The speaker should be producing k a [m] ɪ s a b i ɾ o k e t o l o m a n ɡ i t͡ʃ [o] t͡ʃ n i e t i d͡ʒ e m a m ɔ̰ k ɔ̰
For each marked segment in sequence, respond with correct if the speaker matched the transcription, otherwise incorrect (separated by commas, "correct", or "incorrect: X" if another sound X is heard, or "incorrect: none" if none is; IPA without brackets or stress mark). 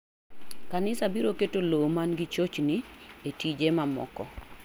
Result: incorrect: n, correct